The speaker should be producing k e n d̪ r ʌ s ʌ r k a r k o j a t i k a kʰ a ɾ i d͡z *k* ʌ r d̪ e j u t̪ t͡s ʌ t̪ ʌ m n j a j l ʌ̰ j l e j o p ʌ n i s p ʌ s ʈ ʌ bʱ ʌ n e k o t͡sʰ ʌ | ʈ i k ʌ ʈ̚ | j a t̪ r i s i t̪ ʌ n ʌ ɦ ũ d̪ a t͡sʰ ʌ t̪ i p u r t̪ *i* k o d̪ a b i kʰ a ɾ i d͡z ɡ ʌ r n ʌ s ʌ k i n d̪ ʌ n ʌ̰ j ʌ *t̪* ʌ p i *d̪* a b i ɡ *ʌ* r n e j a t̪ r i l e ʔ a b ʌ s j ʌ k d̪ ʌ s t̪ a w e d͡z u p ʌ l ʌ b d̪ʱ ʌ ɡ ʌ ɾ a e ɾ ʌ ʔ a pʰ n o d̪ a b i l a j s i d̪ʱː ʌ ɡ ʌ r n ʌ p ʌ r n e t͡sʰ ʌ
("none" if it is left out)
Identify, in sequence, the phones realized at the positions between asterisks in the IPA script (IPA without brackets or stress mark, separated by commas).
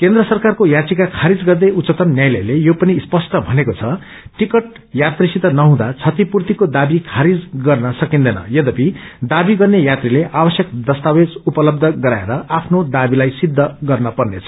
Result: ɡ, i, d̪, d̪, ʌ